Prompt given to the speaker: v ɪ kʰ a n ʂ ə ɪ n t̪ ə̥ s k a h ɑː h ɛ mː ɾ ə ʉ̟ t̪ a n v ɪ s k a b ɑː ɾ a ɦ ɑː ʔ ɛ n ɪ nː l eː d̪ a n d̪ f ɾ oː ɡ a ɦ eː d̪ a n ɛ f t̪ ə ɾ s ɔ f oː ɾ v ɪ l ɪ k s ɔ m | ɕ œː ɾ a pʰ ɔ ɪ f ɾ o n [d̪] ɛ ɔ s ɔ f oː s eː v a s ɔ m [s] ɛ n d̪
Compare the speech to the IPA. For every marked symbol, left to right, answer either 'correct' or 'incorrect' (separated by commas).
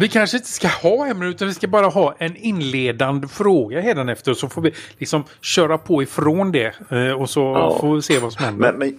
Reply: correct, incorrect